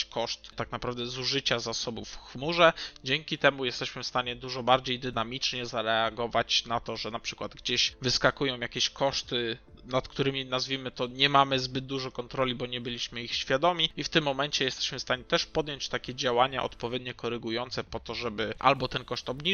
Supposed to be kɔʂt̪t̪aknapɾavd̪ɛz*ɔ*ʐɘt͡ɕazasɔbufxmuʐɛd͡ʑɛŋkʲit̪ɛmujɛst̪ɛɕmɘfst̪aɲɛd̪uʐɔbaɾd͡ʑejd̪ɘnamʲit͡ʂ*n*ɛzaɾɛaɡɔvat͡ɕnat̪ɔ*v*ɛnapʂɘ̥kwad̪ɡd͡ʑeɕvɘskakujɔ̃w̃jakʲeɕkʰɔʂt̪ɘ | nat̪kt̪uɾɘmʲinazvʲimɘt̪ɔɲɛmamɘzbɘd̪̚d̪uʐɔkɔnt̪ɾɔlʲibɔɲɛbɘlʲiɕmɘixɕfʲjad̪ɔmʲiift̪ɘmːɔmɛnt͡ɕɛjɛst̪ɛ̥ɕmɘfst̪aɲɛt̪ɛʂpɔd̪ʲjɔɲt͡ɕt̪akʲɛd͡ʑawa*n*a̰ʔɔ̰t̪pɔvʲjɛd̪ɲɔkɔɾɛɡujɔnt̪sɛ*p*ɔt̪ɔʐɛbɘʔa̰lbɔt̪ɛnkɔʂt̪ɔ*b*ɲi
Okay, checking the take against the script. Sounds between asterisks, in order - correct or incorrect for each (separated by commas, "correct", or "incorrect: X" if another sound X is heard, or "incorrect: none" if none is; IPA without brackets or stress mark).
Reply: incorrect: u, incorrect: ɲ, incorrect: ʐ, incorrect: ɲ, correct, correct